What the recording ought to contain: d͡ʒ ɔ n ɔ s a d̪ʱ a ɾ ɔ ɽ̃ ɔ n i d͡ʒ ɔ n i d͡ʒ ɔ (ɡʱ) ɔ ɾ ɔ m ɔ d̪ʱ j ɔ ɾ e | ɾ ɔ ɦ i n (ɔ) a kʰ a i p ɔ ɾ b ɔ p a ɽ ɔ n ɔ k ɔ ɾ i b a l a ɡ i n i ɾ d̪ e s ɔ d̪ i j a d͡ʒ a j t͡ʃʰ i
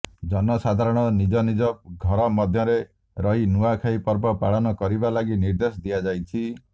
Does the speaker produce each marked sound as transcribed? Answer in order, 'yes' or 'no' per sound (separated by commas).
yes, no